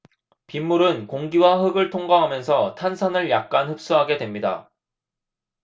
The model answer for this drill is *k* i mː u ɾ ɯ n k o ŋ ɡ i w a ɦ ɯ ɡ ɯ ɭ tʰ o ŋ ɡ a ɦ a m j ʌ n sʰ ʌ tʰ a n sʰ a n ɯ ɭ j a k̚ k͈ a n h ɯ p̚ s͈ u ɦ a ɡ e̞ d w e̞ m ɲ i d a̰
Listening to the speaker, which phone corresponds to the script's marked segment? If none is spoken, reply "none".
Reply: p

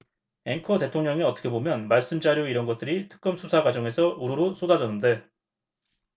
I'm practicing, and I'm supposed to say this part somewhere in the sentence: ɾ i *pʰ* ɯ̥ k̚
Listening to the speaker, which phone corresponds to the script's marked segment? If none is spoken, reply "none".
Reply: tʰ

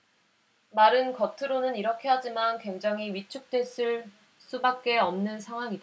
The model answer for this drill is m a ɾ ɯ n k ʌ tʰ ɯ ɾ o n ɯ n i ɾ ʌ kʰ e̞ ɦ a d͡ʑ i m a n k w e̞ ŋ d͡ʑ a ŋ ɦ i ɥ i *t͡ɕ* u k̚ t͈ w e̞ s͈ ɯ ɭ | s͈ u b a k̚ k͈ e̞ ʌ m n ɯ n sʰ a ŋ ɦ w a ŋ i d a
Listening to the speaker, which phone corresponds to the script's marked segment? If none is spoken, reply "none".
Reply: t͡ɕʰ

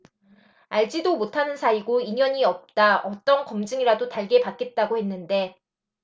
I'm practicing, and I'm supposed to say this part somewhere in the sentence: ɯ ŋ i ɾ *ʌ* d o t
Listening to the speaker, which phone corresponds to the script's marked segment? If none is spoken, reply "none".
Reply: a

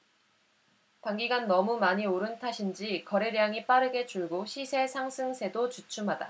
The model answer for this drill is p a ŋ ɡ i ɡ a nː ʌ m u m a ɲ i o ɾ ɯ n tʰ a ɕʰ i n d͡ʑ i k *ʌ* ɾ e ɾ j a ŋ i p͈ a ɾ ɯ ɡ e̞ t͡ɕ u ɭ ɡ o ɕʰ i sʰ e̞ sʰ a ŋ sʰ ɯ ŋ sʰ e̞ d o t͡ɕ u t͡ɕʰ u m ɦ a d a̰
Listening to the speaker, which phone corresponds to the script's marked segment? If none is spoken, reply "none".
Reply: ʌ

